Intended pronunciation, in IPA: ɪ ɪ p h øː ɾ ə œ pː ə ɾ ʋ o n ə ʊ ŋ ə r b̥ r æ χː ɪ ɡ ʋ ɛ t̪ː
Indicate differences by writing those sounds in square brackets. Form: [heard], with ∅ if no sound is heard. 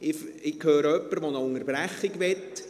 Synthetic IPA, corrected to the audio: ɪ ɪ [k] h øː ɾ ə œ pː ə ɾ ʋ o n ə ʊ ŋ ə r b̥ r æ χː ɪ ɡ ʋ ɛ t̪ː